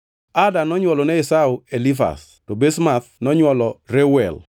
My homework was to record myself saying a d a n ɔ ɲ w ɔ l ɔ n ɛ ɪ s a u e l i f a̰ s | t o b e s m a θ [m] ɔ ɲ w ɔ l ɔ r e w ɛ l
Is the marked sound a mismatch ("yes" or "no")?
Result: yes